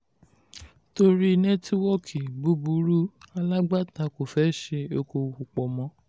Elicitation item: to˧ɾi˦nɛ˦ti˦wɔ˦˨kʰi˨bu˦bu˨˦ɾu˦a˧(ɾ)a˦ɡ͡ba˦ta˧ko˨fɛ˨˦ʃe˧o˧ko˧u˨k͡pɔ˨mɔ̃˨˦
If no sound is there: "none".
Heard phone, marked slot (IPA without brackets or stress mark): l